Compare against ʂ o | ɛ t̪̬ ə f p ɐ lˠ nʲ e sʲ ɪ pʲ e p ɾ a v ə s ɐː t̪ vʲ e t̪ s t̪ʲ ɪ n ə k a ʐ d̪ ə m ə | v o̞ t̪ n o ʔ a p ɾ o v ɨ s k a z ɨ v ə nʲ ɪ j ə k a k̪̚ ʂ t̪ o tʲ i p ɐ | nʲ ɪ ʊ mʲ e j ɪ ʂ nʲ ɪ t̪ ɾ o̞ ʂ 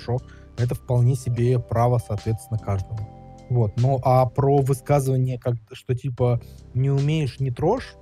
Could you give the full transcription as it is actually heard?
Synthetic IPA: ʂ o | ɛ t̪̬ ə f p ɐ lˠ nʲ e sʲ ɪ bʲ e p ɾ a v ə s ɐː t̪ vʲ e t̪ s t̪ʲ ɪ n ə k a ʐ d̪ ə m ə | v o̞ t̪ n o ʔ a p ɾ o v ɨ s k a z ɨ v ə nʲ ɪ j ə k a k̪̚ ʂ t̪ o tʲ i p ə | nʲ ɪ ʊ mʲ e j ɪ ʂ nʲ ɪ t̪ ɾ o̞ ʂ